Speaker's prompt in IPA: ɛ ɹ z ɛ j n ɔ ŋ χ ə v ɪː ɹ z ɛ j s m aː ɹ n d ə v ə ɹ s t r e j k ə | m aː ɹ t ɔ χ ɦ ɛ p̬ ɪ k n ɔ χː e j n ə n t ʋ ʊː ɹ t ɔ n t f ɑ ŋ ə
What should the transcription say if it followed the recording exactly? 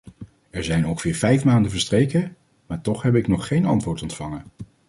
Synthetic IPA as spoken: ɛ ɹ z ɛ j n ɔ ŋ χ ə v ɪː ɹ v ɛ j f m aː n d ə v ə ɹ s t r e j k ə | m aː ɹ t ɔ χ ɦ ɛ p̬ ɪ k n ɔ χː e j n ɑ n t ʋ ʊː ɹ t ɔ n t f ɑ ŋ ə